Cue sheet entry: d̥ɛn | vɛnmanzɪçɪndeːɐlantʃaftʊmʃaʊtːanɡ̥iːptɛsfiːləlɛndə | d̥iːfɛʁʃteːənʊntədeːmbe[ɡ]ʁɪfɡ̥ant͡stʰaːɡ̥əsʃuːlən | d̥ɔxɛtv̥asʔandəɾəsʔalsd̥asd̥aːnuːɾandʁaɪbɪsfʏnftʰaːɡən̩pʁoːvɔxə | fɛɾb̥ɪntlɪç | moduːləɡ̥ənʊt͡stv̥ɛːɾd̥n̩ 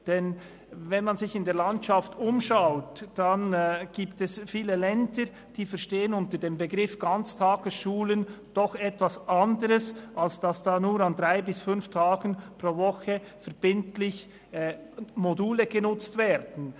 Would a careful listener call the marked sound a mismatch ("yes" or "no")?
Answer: no